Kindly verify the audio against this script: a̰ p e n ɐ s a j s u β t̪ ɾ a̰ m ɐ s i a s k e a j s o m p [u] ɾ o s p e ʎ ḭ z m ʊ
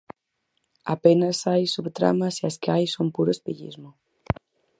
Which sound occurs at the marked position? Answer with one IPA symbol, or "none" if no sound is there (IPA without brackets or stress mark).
u